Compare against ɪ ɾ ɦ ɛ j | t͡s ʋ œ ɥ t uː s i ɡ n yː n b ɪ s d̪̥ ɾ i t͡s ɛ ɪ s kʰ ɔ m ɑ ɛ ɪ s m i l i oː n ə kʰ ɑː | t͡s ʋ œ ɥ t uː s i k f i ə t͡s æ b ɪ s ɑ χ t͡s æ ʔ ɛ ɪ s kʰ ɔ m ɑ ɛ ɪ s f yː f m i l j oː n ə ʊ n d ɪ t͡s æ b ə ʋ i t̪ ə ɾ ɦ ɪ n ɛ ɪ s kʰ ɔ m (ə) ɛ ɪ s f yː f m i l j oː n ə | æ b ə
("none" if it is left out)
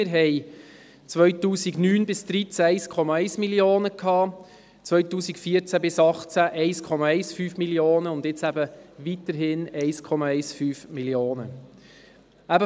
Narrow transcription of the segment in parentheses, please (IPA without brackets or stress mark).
ɑ